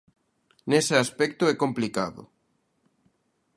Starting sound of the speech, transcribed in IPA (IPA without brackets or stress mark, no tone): n